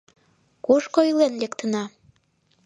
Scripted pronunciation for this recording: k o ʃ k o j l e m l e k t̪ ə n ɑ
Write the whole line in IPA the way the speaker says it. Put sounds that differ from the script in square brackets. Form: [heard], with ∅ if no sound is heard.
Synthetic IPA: k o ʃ k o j l e [n] l e k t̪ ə n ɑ

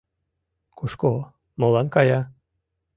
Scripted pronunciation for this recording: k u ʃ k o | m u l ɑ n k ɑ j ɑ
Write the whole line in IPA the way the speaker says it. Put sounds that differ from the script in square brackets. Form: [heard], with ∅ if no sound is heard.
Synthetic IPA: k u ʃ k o | m [o] l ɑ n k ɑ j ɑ

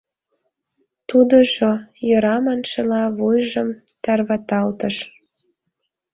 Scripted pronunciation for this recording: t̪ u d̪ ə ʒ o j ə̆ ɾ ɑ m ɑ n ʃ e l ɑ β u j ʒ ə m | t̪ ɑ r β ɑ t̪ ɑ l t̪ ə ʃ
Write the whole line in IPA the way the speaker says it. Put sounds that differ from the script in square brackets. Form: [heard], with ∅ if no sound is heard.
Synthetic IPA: t̪ u d̪ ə ʒ o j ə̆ ɾ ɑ m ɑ n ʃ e l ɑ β u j ʒ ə m | t̪ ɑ r β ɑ t̪ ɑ l t̪ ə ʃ

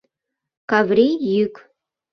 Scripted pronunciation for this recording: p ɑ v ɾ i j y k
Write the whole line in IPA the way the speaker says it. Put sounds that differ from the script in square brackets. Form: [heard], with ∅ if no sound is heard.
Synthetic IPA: [k] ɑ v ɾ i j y k

